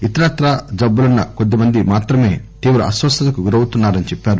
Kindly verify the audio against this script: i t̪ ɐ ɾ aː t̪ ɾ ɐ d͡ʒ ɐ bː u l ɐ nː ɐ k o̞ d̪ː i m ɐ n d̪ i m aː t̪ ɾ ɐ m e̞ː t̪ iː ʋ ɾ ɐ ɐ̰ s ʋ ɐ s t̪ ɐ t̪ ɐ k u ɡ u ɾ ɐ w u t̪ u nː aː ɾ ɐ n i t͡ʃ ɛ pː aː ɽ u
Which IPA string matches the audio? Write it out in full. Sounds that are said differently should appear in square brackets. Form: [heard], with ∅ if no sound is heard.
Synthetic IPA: i t̪ ɐ ɾ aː t̪ ɾ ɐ d͡ʒ ɐ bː u l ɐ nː ɐ k o̞ d̪ː i m ɐ n d̪ i m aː t̪ ɾ ɐ m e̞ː t̪ iː ʋ ɾ ɐ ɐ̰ s ʋ ɐ s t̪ ɐ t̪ ɐ k u ɡ u ɾ ɐ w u t̪ u nː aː ɾ ɐ n i t͡ʃ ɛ pː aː [ɾ] u

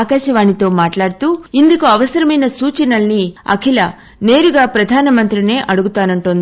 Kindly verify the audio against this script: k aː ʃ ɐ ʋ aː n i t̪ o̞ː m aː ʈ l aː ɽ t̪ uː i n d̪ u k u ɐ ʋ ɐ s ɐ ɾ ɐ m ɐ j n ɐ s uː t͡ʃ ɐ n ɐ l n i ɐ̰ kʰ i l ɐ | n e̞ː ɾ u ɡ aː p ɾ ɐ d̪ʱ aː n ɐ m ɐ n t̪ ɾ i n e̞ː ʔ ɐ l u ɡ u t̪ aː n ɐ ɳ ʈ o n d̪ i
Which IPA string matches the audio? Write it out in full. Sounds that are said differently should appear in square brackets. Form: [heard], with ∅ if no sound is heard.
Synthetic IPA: k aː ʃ ɐ ʋ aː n i t̪ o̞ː m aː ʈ l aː ɽ t̪ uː i n d̪ u k u ɐ ʋ ɐ s ɐ ɾ ɐ m ɐ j n ɐ s uː t͡ʃ ɐ n ɐ l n i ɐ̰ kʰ i l ɐ | n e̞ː ɾ u ɡ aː p ɾ ɐ d̪ʱ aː n ɐ m ɐ n t̪ ɾ i n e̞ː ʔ ɐ [ɽ] u ɡ u t̪ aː n ɐ ɳ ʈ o n d̪ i

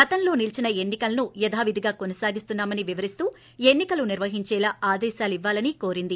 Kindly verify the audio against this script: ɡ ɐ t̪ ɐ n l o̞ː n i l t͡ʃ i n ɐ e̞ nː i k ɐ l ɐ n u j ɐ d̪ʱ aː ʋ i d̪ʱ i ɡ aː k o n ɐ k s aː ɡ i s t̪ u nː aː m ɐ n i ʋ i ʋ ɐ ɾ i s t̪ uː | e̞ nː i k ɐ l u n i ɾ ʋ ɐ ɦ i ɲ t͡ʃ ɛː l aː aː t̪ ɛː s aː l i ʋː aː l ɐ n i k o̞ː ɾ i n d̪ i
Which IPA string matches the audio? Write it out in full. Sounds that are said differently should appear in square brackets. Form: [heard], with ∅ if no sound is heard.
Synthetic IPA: ɡ ɐ t̪ ɐ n l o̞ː n i l t͡ʃ i n ɐ e̞ nː i k ɐ l ɐ n u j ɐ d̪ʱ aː ʋ i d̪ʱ i ɡ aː k o n ɐ [∅] s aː ɡ i s t̪ u nː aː m ɐ n i ʋ i ʋ ɐ ɾ i s t̪ uː | e̞ nː i k ɐ l u n i ɾ ʋ ɐ ɦ i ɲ t͡ʃ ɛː l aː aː [d̪] ɛː [ʃ] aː l i ʋː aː l ɐ n i k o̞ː ɾ i n d̪ i

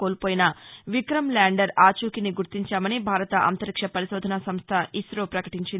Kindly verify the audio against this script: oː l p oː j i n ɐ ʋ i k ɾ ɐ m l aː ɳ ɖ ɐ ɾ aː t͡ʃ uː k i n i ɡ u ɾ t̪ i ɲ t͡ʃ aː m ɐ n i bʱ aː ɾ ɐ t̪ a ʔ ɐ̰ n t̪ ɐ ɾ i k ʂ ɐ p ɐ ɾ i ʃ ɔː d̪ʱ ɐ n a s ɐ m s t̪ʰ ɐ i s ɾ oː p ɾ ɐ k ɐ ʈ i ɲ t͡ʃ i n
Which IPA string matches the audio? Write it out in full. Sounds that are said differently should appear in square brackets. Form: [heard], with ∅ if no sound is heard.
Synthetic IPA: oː l p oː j i n ɐ ʋ i k ɾ ɐ m l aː ɳ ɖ ɐ ɾ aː t͡ʃ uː k i n i ɡ u ɾ t̪ i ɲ t͡ʃ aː m ɐ n i bʱ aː ɾ ɐ t̪ [ɐ] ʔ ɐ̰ n t̪ ɐ ɾ i k ʂ ɐ p ɐ ɾ i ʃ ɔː d̪ʱ ɐ n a s ɐ m s t̪ʰ ɐ i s ɾ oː p ɾ ɐ k ɐ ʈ i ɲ t͡ʃ i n

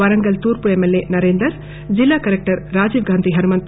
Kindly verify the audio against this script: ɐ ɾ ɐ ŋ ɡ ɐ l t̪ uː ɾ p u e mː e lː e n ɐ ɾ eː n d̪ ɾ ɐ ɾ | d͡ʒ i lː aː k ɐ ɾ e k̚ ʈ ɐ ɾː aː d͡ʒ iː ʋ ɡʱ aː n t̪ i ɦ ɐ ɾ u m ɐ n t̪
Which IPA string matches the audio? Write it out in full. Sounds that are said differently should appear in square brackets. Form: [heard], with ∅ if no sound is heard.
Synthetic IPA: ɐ ɾ ɐ ŋ ɡ ɐ l t̪ uː ɾ p u e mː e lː e n ɐ ɾ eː n d̪ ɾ ɐ ɾ | d͡ʒ i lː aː k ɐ ɾ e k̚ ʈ ɐ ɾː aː d͡ʒ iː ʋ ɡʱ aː n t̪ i ɦ ɐ ɾ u m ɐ n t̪

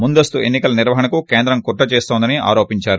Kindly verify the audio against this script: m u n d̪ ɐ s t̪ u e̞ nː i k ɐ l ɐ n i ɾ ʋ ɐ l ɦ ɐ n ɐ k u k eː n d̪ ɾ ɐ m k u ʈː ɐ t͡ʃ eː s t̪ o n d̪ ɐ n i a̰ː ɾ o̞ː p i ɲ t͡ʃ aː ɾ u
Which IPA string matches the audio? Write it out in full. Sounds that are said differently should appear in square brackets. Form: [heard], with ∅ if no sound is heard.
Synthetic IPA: m u n d̪ ɐ s t̪ u e̞ nː i k ɐ l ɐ n i ɾ ʋ ɐ [∅] ɦ ɐ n ɐ k u k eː n d̪ ɾ ɐ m k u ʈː ɐ t͡ʃ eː s t̪ o n d̪ ɐ n i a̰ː ɾ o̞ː p i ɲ t͡ʃ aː ɾ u

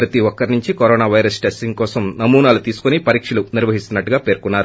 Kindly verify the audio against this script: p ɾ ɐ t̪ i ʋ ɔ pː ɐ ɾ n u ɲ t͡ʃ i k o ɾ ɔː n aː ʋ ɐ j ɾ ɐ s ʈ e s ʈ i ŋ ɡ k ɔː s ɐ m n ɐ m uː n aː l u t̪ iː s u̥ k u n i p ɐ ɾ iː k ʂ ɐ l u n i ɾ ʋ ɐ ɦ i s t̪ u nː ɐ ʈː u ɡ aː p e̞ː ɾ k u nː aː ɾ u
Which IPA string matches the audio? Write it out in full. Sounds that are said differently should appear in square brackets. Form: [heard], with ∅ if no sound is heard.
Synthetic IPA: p ɾ ɐ t̪ i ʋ ɔ [kː] ɐ ɾ n u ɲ t͡ʃ i k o ɾ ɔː n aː ʋ ɐ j ɾ ɐ s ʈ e s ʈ i ŋ ɡ k ɔː s ɐ m n ɐ m uː n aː l u t̪ iː s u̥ k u n i p ɐ ɾ iː k ʂ ɐ l u n i ɾ ʋ ɐ ɦ i s t̪ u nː ɐ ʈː u ɡ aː p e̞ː ɾ k u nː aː ɾ u

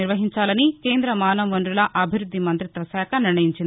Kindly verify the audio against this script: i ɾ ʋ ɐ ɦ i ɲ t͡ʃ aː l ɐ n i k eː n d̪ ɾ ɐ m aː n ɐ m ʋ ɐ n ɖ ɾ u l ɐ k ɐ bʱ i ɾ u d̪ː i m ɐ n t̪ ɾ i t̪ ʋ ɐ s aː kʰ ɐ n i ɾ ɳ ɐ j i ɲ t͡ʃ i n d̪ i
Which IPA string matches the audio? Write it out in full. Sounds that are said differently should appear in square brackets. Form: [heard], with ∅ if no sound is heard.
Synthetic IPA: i ɾ ʋ ɐ ɦ i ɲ t͡ʃ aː l ɐ n i k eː n d̪ ɾ ɐ m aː n ɐ m ʋ ɐ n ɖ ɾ u l ɐ [ʔ] ɐ bʱ i ɾ u d̪ː i m ɐ n t̪ ɾ i t̪ ʋ ɐ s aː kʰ ɐ n i ɾ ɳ ɐ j i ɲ t͡ʃ i n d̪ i

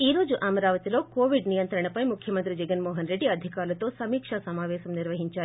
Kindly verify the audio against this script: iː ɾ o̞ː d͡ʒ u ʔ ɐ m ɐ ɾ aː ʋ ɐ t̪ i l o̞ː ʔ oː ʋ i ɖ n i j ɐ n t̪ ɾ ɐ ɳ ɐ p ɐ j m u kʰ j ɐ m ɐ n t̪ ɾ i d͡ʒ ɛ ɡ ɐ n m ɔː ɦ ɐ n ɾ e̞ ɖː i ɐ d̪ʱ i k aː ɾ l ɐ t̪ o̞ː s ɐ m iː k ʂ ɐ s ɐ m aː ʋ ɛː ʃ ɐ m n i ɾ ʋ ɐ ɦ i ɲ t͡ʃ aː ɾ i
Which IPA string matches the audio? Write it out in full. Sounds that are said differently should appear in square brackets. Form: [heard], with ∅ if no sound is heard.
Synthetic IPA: iː ɾ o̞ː d͡ʒ u ʔ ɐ m ɐ ɾ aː ʋ ɐ t̪ i l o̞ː [k] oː ʋ i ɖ n i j ɐ n t̪ ɾ ɐ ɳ ɐ p ɐ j m u kʰ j ɐ m ɐ n t̪ ɾ i d͡ʒ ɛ ɡ ɐ n m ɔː ɦ ɐ n ɾ e̞ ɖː i ɐ d̪ʱ i k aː ɾ l ɐ t̪ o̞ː s ɐ m iː k ʂ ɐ s ɐ m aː ʋ ɛː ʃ ɐ m n i ɾ ʋ ɐ ɦ i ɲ t͡ʃ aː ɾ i

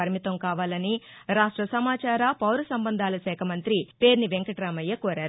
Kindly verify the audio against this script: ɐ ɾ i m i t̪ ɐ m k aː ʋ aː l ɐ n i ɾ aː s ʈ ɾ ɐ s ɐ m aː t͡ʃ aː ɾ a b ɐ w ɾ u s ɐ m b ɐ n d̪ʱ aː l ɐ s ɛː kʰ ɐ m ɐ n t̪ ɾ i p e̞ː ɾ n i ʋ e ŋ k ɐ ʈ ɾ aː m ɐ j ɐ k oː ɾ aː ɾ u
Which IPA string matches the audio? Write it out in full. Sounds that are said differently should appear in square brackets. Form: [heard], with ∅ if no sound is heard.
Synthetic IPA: ɐ ɾ i m i t̪ ɐ m k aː ʋ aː l ɐ n i ɾ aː [ʂ] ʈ ɾ ɐ s ɐ m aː t͡ʃ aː ɾ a [p] ɐ w ɾ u s ɐ m b ɐ n d̪ʱ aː l ɐ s ɛː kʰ ɐ m ɐ n t̪ ɾ i p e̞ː ɾ n i ʋ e ŋ k ɐ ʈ ɾ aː m ɐ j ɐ k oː ɾ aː ɾ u

